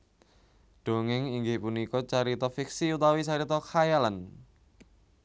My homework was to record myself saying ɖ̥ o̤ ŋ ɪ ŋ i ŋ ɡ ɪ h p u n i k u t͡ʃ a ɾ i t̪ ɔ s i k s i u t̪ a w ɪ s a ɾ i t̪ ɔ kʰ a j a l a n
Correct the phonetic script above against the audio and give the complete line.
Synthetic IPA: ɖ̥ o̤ ŋ ɪ ŋ i ŋ ɡ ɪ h p u n i k ɔ t͡ʃ a ɾ i t̪ ɔ f i k s i u t̪ a w i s a ɾ i t̪ ɔ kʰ a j a l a n